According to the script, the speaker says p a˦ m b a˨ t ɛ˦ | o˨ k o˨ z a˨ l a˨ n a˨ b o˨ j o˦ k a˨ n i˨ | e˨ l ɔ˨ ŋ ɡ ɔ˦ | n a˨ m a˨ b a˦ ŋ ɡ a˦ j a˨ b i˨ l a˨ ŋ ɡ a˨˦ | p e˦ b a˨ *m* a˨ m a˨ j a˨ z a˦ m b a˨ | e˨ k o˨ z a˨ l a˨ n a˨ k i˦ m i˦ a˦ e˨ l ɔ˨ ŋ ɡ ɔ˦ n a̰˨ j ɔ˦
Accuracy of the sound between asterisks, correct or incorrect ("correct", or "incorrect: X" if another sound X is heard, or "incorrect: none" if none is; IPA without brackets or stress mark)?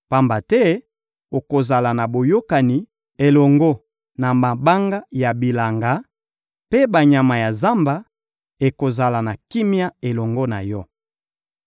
incorrect: ɲ